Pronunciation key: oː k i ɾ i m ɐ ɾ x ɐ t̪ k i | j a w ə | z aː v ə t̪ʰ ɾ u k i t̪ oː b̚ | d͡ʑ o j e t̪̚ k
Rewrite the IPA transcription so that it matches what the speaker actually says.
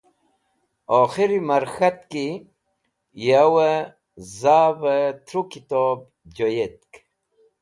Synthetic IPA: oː x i ɾ i m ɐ ɾ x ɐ t̪ k i | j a w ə | z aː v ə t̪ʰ ɾ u k i t̪ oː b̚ | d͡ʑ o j e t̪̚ k